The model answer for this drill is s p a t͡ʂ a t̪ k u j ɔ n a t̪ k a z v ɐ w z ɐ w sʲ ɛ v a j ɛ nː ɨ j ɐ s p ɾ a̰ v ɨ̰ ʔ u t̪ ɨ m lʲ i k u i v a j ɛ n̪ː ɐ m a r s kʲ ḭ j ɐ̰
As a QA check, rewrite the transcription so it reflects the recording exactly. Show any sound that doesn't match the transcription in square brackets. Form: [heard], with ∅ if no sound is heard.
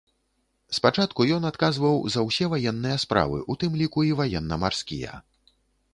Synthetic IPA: s p a t͡ʂ a t̪ k u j ɔ n a t̪ k a z v ɐ w z ɐ w sʲ ɛ v a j ɛ nː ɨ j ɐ s p ɾ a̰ v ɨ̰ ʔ u t̪ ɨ m lʲ i k u i v a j ɛ n̪ː ɐ m a r s kʲ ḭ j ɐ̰